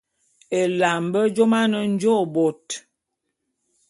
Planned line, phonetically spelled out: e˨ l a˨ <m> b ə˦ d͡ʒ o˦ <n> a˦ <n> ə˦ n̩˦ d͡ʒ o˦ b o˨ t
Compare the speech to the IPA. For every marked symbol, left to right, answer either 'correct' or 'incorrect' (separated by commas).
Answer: correct, incorrect, correct